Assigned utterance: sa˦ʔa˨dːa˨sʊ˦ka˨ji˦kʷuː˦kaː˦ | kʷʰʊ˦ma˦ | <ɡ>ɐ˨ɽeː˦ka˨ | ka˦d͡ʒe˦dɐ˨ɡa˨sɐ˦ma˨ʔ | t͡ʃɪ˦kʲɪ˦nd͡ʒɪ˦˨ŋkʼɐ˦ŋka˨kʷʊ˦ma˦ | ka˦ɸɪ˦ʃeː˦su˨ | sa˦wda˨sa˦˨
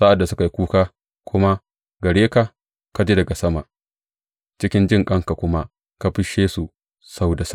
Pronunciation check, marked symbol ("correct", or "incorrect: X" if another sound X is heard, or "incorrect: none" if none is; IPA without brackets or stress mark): correct